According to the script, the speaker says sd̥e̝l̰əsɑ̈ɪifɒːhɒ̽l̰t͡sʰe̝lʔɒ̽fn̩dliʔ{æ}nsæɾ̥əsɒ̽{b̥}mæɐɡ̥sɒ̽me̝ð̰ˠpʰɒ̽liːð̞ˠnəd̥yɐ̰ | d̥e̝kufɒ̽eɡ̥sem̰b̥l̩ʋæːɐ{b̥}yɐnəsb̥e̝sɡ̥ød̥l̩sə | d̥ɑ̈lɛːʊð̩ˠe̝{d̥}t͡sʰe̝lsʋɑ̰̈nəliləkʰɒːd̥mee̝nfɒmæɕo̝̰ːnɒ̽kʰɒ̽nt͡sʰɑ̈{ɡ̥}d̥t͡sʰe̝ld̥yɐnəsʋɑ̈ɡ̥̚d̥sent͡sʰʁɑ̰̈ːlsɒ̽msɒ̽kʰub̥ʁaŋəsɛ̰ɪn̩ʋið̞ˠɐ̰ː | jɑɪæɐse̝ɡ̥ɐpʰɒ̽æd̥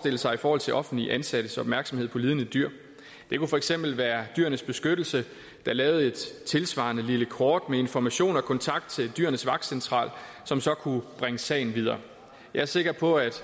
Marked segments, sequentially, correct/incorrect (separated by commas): correct, correct, incorrect, correct, correct